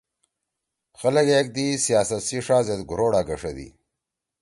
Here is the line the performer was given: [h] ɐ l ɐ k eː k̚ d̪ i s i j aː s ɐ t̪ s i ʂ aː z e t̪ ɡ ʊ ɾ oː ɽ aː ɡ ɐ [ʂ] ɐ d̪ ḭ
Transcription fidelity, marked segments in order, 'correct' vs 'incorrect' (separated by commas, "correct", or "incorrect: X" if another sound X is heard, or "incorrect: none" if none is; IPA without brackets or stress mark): incorrect: x, correct